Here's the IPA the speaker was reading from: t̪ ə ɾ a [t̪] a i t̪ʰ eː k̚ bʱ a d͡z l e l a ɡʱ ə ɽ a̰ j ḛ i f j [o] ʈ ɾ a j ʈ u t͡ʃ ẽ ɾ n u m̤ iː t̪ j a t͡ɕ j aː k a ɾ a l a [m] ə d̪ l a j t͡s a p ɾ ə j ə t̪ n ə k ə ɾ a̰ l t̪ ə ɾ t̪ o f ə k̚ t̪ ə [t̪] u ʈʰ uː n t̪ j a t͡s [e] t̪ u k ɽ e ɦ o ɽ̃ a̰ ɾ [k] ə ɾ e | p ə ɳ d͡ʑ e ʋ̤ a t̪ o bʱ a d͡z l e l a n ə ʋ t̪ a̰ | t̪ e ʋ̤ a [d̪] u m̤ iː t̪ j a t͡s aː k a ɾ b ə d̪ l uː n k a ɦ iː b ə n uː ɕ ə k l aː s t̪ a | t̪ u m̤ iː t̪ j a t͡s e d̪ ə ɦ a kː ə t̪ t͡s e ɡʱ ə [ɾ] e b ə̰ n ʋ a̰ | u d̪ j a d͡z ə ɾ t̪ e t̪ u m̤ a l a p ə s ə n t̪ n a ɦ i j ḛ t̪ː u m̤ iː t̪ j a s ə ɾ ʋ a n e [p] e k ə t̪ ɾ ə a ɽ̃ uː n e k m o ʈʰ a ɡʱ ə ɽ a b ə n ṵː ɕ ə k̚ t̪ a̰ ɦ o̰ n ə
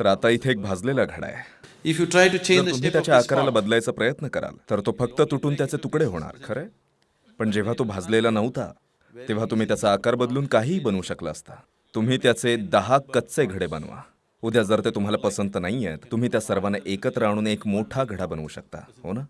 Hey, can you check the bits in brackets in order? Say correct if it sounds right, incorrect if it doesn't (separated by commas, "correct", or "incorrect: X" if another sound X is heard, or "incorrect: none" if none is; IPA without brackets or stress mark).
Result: correct, incorrect: u, incorrect: b, correct, correct, incorrect: kʰ, incorrect: t̪, incorrect: ɽ, incorrect: ʔ